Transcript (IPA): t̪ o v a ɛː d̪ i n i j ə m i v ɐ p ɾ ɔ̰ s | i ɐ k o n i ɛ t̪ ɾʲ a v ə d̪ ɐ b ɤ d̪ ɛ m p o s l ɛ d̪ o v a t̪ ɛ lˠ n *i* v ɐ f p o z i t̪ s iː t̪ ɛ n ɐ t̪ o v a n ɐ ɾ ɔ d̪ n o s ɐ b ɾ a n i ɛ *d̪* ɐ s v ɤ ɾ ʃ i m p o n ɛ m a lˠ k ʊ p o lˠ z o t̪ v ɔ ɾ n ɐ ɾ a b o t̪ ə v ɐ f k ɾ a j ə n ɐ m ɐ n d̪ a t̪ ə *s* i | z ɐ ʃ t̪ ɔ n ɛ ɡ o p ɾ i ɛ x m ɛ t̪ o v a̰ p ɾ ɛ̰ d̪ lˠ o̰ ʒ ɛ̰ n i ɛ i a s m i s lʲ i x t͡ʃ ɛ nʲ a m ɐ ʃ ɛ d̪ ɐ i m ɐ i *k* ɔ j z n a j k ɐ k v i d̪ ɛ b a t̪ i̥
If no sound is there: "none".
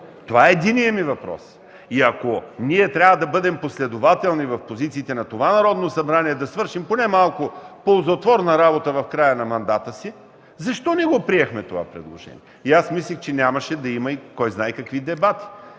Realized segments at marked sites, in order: i, d̪, s, k

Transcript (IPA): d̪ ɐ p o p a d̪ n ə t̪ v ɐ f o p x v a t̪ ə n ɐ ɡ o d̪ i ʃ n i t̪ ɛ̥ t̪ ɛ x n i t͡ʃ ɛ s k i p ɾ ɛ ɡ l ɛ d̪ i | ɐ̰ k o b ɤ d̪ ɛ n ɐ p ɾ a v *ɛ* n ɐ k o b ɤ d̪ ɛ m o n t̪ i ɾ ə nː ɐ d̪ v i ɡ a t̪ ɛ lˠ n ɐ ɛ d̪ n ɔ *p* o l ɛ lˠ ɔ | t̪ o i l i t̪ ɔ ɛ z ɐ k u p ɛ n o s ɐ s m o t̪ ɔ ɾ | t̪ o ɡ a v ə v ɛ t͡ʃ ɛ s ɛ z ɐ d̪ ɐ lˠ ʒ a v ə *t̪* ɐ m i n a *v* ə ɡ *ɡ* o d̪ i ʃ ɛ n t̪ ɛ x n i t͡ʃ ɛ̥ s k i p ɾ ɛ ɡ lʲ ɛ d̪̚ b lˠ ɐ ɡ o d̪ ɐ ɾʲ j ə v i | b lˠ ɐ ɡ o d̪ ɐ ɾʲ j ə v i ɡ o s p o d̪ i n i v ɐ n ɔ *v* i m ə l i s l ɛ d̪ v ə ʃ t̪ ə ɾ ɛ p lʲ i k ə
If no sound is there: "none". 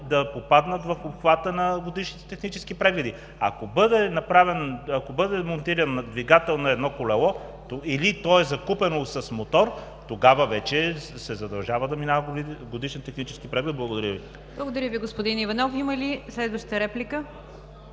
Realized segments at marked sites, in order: ɛ, k, d̪, v, ɡ, f

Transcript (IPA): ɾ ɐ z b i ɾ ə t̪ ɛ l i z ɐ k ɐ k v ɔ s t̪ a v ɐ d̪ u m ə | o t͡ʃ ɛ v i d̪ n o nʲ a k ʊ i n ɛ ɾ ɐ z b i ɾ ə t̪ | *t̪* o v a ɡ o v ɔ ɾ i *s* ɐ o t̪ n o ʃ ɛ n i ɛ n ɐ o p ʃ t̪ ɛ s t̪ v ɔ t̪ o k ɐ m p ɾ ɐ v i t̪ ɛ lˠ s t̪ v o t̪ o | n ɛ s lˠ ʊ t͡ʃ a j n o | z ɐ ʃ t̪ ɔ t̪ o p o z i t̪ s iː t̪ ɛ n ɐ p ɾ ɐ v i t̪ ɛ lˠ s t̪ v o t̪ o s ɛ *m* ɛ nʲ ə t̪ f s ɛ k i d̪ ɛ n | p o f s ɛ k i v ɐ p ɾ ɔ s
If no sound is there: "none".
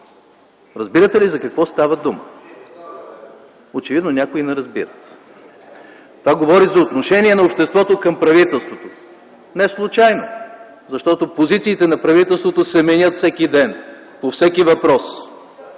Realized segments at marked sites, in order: t̪, z, m

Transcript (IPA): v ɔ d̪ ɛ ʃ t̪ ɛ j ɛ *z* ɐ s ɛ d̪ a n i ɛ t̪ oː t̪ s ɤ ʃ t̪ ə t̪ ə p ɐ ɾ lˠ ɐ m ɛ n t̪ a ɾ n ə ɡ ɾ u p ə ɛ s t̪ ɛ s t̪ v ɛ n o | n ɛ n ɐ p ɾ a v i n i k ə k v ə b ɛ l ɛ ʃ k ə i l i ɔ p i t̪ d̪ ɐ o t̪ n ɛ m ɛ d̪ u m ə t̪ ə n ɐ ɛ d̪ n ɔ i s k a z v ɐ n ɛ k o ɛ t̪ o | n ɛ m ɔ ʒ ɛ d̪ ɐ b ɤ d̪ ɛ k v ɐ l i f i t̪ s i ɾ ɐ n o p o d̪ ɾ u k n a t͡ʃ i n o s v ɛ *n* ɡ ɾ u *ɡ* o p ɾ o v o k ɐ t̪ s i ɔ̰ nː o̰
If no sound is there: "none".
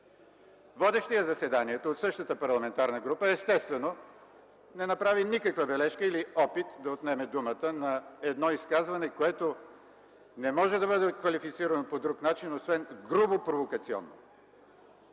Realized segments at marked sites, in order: z, n, b

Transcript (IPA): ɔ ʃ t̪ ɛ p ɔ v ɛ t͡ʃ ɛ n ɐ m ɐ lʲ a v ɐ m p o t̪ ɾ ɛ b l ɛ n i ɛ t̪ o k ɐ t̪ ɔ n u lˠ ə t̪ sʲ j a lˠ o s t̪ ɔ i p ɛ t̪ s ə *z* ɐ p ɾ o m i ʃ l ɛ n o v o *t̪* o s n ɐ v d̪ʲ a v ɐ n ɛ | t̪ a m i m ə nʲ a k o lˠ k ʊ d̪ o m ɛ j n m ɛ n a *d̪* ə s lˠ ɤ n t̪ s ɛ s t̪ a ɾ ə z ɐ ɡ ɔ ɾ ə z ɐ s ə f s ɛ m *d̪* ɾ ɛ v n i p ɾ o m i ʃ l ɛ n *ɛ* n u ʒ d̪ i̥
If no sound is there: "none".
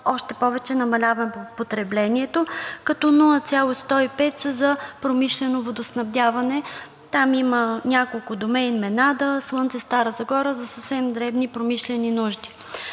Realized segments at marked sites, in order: z, d̪, d̪, d̪, i

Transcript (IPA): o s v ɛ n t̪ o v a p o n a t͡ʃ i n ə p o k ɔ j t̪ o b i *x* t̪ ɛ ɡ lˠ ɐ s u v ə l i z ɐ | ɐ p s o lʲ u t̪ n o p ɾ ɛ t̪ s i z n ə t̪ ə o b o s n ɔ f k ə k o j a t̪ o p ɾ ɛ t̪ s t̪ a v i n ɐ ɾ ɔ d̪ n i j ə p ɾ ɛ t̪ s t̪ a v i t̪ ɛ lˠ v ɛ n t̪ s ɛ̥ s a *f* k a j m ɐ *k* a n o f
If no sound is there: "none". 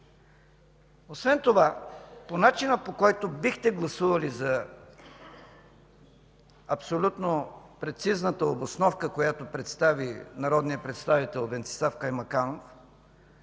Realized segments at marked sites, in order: x, f, k

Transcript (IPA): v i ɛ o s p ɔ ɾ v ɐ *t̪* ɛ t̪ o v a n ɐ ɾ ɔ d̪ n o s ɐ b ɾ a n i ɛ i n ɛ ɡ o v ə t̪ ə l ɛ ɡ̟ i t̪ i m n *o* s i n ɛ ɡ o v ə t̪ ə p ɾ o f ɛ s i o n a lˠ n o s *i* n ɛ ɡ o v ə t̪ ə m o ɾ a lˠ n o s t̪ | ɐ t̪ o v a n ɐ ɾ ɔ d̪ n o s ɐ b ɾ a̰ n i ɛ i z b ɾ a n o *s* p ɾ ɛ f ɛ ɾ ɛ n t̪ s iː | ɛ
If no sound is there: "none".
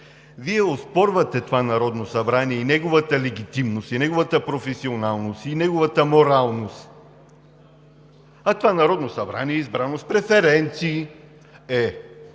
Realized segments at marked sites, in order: t̪, o, i, s

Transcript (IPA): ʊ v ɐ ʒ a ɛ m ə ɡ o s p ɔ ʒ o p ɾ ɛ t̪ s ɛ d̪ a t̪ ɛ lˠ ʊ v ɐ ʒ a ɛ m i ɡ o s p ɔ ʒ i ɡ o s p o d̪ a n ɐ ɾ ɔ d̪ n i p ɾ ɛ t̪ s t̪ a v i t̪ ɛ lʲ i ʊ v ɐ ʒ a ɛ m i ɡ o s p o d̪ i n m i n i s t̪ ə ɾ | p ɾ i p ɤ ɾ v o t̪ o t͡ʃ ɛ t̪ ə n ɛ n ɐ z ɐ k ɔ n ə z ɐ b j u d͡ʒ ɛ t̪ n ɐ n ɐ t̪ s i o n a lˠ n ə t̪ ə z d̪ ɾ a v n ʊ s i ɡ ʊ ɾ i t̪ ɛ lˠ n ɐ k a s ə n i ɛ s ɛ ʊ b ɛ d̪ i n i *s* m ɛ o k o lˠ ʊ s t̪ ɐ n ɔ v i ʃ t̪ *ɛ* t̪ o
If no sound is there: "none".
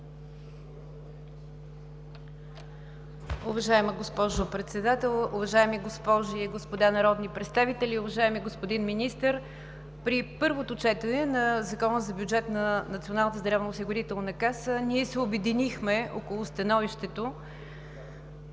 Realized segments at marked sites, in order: x, ɛ

